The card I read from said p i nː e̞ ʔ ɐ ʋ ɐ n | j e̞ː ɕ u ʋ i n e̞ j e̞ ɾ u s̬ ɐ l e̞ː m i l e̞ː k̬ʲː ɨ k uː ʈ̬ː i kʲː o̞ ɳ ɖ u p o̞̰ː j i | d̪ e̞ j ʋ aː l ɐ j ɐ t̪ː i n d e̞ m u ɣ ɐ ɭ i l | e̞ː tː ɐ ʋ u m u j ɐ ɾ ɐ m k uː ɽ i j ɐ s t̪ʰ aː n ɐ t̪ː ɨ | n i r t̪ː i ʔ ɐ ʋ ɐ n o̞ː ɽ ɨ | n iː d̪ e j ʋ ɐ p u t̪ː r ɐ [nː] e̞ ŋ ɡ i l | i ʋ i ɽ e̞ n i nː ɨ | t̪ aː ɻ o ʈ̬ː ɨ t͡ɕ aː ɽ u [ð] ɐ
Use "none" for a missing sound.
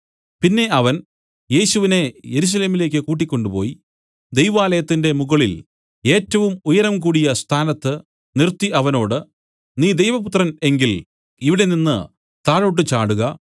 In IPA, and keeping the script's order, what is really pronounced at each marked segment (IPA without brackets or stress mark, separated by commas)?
n, ɣ